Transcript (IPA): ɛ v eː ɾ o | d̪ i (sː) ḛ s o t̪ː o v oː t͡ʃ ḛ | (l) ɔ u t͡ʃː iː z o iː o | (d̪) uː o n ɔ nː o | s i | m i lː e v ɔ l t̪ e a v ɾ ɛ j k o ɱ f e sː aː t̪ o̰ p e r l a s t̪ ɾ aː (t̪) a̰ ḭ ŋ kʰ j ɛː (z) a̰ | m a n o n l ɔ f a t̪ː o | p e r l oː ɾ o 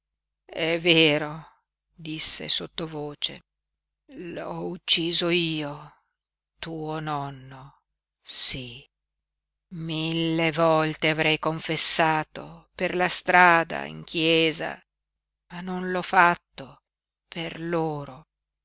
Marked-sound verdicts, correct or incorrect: correct, correct, incorrect: t̪, incorrect: d̪, correct

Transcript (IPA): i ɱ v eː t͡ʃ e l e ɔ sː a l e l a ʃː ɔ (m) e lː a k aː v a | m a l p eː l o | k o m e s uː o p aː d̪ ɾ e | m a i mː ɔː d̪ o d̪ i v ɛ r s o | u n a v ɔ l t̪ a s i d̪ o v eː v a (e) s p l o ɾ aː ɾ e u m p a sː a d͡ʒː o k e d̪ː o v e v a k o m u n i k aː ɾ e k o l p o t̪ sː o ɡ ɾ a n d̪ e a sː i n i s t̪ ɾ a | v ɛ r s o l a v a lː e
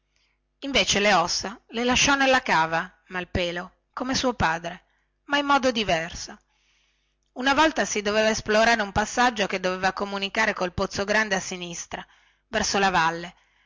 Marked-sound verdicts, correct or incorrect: incorrect: n, correct

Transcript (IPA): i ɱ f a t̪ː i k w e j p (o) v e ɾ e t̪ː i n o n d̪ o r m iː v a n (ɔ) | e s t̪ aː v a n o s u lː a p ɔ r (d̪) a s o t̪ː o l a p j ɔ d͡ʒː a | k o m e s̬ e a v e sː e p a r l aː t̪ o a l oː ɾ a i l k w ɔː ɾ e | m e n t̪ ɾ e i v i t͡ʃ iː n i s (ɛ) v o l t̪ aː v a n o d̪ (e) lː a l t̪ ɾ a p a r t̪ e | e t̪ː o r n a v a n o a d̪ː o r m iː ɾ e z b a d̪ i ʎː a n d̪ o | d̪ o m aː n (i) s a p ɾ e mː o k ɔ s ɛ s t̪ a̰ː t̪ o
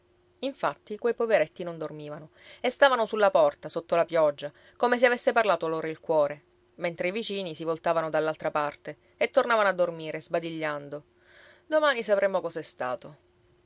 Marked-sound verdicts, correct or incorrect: correct, incorrect: o, incorrect: t̪, incorrect: i, incorrect: a, correct

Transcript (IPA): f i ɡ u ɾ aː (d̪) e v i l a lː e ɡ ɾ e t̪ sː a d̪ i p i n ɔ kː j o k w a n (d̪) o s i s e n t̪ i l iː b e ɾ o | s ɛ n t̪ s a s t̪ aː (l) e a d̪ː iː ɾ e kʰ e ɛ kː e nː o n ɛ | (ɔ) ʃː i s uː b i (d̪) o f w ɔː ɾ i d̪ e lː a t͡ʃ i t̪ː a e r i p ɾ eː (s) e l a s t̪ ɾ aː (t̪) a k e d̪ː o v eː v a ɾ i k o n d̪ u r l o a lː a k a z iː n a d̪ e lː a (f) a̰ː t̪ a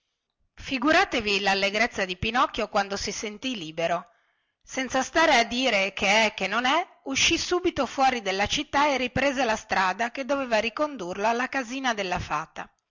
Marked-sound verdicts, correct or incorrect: incorrect: t̪, correct, incorrect: ɾ, incorrect: u, incorrect: t̪, incorrect: z, incorrect: d̪, correct

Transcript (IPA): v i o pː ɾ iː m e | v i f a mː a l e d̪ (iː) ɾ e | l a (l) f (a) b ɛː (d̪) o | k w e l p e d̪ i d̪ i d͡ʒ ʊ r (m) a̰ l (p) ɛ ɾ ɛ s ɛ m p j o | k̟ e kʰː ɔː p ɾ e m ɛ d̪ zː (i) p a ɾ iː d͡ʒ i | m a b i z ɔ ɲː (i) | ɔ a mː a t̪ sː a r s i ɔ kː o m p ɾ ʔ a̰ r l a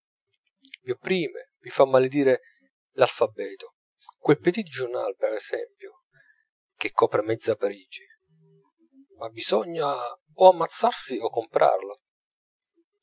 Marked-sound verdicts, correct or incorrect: correct, correct, correct, incorrect: t̪, incorrect: n, correct, incorrect: a, incorrect: a

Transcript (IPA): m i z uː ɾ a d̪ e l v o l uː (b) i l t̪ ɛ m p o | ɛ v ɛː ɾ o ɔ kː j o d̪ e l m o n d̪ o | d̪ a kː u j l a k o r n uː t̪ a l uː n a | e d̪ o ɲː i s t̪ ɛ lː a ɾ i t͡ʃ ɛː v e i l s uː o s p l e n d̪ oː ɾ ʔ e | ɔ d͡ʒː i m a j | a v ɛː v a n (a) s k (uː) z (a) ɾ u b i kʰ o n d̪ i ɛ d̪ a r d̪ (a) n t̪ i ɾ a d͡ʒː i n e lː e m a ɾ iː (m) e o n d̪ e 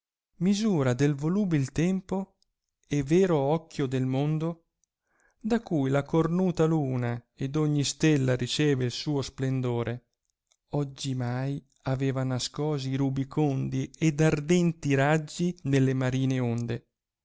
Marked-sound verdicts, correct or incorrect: correct, correct, incorrect: ɔː, incorrect: i, incorrect: ɛ, incorrect: n

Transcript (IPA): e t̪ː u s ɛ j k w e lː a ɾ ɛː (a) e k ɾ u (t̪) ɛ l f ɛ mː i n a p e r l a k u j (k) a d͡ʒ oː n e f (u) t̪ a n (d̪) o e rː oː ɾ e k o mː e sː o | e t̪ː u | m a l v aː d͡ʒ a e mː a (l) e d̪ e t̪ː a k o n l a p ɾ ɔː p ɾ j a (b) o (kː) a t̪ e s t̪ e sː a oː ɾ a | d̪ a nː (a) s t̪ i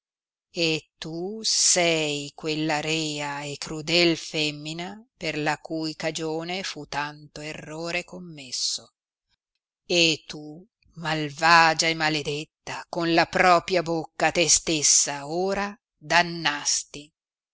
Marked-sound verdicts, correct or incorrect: correct, incorrect: d̪, correct, correct, incorrect: t̪, correct, correct, correct, correct

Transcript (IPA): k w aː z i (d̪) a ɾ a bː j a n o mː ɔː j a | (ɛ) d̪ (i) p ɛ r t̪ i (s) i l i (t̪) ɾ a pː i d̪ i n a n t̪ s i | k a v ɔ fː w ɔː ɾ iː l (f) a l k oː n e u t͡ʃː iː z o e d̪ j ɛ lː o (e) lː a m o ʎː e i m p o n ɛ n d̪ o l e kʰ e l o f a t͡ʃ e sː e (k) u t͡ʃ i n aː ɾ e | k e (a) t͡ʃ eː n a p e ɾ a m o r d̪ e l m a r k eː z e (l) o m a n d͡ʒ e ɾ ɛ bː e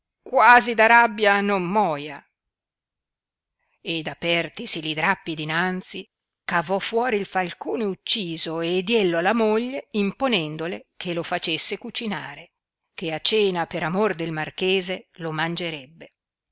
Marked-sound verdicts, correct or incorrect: correct, incorrect: e, incorrect: a, correct, incorrect: d̪, correct, incorrect: a, correct, correct, correct

